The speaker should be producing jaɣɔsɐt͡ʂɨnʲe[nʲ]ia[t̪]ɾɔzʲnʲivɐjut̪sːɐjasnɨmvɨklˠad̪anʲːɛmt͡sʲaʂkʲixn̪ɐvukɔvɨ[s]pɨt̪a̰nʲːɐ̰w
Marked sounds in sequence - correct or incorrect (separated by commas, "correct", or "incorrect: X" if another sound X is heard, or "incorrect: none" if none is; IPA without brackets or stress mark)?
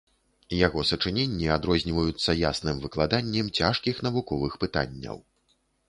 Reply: incorrect: nʲː, incorrect: d̪, incorrect: x